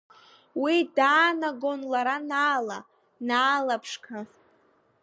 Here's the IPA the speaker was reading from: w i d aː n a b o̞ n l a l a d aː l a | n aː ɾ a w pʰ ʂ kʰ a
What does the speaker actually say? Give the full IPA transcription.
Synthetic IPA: w i d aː n a ɡ o̞ n l a ɾ a n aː l a | n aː l a pʰ ʂ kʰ a

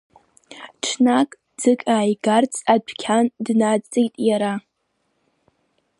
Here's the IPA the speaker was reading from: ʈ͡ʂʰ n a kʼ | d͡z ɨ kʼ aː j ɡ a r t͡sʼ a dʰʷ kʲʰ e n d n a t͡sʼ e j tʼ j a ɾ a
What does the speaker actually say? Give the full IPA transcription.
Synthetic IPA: ʈ͡ʂʰ n a kʼ | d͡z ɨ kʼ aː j ɡ a r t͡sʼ a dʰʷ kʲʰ a n d n a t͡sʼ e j tʼ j a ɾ a

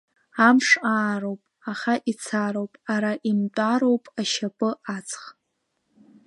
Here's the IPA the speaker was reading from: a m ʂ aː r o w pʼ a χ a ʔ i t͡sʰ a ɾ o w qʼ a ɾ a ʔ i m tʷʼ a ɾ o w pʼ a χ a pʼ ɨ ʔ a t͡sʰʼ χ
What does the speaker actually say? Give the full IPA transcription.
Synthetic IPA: a m ʂ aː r o w pʼ a χ a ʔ i t͡sʰ a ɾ o w pʼ a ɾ a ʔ i m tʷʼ a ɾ o w pʼ a ʃ a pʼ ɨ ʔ a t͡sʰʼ χ

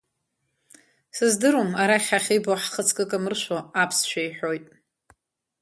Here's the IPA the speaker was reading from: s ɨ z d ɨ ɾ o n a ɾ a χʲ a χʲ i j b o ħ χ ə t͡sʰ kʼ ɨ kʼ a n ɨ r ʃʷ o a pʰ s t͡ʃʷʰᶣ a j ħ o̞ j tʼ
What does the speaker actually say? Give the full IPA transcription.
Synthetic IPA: s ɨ z d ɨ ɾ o m a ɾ a χʲ a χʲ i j b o ħ χ ə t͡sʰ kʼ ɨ kʼ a m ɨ r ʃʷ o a pʰ s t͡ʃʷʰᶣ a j ħ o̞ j tʼ

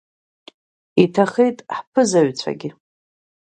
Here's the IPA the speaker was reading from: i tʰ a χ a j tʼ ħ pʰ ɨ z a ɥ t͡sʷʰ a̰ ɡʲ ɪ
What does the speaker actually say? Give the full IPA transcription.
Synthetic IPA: i tʰ a χ e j tʼ ħ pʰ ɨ z a ɥ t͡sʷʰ a̰ ɡʲ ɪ

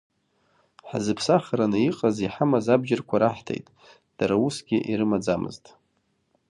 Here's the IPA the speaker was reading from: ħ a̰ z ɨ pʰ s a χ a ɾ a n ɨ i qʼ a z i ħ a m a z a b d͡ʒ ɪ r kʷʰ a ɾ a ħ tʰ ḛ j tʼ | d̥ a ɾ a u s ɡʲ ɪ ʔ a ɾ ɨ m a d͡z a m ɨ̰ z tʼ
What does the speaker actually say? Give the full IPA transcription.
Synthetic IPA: ħ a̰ z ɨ pʰ s a χ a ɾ a n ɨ i qʼ a z i ħ a m a z a b d͡ʒ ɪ r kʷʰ a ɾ a ħ tʰ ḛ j tʼ | d̥ a ɾ a u s ɡʲ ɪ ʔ i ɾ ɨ m a d͡z a m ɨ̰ z tʼ

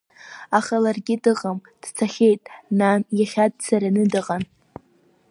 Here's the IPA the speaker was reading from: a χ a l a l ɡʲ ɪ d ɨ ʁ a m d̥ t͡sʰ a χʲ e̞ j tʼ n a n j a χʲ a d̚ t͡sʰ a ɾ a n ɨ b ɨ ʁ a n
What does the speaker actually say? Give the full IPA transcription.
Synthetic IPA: a χ a l a r ɡʲ ɪ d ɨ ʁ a m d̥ t͡sʰ a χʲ e̞ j tʼ n a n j a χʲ a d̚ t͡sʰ a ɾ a n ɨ d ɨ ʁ a n

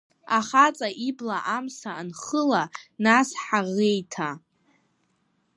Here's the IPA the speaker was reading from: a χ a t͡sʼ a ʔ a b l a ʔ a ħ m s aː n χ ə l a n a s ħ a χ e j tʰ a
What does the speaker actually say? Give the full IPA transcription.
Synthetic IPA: a χ a t͡sʼ a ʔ i b l a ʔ a m s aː n χ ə l a n a s ħ a ʁ e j tʰ a

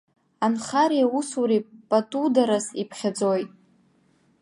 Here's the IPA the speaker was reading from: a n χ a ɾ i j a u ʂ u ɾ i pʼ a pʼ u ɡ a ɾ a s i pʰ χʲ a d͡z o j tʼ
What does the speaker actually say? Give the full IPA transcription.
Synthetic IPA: a n χ a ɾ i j a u s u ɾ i pʼ a tʼ u d a ɾ a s i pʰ χʲ a d͡z o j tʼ

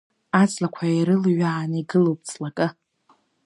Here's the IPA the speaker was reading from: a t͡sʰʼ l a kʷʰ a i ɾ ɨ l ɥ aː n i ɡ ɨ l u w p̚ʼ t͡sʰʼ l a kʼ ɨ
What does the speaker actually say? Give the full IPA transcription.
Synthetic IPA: a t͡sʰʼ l a kʷʰ a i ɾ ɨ l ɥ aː n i ɡ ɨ l o w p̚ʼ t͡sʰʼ l a kʼ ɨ

